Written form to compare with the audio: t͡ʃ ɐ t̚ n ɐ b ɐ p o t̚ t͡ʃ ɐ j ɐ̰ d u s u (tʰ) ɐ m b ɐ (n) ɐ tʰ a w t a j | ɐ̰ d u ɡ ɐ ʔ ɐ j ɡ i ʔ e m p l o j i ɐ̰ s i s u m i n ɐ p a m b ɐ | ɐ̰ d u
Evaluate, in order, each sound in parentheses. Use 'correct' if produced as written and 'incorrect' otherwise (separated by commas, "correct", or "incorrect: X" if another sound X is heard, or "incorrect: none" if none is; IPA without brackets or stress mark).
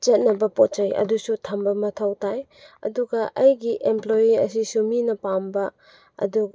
correct, incorrect: m